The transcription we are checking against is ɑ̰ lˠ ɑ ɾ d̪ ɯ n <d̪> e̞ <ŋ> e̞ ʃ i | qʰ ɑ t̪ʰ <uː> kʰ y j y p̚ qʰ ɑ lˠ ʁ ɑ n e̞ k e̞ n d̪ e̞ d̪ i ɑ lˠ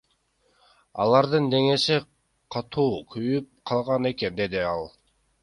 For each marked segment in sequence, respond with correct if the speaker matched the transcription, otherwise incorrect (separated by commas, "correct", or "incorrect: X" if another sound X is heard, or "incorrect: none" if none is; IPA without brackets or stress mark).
correct, correct, correct